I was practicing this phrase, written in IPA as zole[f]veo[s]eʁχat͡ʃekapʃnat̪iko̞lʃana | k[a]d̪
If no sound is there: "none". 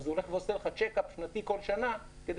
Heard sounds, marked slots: χ, s, e

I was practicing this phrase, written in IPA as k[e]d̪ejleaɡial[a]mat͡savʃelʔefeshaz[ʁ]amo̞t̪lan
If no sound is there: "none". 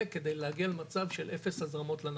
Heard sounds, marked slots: e, e, ʁ

